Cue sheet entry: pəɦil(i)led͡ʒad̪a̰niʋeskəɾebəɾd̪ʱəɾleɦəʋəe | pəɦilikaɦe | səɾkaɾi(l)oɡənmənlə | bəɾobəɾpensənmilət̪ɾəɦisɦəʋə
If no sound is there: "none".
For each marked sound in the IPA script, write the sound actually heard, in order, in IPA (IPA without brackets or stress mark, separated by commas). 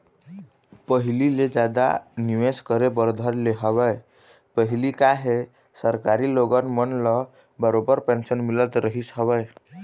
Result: i, l